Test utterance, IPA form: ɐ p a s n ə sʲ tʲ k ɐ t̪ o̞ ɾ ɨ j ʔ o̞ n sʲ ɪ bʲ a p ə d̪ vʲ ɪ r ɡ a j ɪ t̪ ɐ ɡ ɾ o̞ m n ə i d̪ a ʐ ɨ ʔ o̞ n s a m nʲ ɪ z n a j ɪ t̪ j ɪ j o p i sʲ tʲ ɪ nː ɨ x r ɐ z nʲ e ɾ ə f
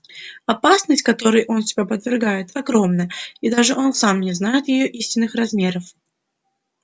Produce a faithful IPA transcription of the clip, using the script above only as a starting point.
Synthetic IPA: ɐ p a s n ə sʲ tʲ k ɐ t̪ o̞ ɾ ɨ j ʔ o̞ n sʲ ɪ bʲ a p ə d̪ vʲ ɪ r ɡ a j ɪ t̪ ɐ ɡ ɾ o̞ m n ə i d̪ a ʐ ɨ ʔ o̞ n s a m nʲ ɪ z n a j ɪ t̪ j ɪ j o ʔ i sʲ tʲ ɪ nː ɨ x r ɐ z mʲ e ɾ ə f